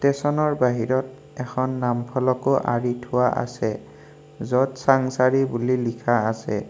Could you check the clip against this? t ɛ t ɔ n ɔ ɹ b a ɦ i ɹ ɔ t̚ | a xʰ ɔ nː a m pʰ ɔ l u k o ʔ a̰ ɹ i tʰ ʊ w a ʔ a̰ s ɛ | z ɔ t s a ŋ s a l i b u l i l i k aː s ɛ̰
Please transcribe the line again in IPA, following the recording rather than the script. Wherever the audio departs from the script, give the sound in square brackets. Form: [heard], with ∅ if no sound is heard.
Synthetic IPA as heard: t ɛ [s] ɔ n ɔ ɹ b a ɦ i ɹ ɔ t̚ | [ɛ] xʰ ɔ nː a m pʰ ɔ l [ɔ] k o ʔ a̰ ɹ i tʰ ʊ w a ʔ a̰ s ɛ | z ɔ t s a ŋ s a [ɹ] i b u l i l i [kʰ] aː s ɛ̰